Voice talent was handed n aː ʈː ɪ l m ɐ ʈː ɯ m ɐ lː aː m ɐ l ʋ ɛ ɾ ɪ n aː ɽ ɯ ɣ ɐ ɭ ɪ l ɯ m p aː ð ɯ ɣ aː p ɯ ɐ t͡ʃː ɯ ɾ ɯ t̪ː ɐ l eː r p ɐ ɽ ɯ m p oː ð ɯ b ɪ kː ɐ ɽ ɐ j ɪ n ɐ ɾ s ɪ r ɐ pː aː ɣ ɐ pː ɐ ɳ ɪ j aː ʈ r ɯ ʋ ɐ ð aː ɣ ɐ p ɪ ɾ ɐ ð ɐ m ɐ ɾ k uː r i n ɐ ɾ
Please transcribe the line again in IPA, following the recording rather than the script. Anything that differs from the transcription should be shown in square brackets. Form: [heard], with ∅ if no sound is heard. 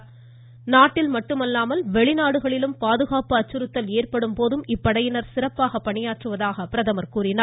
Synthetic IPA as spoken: n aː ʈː ɪ l m ɐ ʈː ɯ m ɐ lː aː m ɐ l ʋ ɛ [ɭ] ɪ n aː ɽ ɯ ɣ ɐ ɭ ɪ l ɯ m p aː ð ɯ ɣ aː p ɯ ɐ t͡ʃː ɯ ɾ ɯ t̪ː ɐ l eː r p ɐ ɽ ɯ m p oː ð ɯ [m] ɪ [pː] ɐ ɽ ɐ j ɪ n ɐ ɾ s ɪ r ɐ pː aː ɣ ɐ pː ɐ ɳ ɪ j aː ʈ r ɯ ʋ ɐ ð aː ɣ ɐ p ɪ ɾ ɐ ð ɐ m ɐ ɾ k uː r [ɪ] n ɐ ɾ